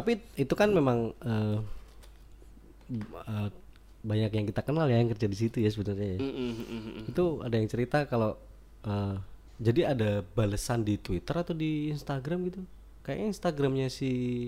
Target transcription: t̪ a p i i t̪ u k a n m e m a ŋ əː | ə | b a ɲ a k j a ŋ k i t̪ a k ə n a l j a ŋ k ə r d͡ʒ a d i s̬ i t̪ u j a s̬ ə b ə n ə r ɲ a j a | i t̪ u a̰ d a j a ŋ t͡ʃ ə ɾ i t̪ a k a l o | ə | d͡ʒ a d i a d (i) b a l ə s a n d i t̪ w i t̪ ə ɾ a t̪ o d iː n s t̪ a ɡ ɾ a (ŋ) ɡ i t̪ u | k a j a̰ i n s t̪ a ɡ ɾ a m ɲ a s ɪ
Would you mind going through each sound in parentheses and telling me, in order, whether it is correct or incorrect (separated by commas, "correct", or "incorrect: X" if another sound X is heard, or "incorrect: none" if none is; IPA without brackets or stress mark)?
incorrect: a, incorrect: m